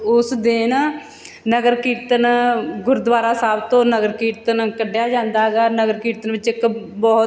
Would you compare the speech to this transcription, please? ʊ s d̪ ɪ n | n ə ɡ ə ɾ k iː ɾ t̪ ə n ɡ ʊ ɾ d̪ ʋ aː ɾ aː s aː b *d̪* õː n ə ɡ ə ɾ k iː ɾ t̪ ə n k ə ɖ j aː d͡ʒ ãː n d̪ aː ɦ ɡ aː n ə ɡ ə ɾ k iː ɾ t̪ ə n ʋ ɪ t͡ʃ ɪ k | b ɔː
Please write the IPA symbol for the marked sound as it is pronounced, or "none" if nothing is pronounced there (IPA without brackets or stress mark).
t̪